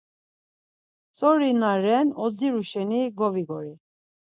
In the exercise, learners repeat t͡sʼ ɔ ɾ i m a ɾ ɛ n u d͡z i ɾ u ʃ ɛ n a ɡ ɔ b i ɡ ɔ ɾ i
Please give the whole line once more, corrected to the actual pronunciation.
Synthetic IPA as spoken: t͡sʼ ɔ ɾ i n a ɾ ɛ n ɔ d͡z i ɾ u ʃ ɛ n i ɡ ɔ v i ɡ ɔ ɾ i